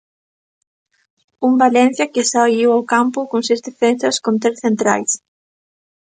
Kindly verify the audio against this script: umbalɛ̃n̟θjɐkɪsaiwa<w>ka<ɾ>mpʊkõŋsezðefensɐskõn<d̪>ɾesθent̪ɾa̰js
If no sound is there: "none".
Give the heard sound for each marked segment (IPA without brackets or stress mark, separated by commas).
w, none, t̪